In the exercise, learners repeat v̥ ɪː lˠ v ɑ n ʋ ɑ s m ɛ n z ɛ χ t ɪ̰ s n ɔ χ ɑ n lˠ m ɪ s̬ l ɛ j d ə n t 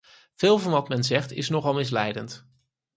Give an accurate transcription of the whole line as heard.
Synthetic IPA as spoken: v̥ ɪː lˠ v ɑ n ʋ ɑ t m ɛ n z ɛ χ t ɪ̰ s n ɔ χ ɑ lˠ m ɪ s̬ l ɛ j d ə n t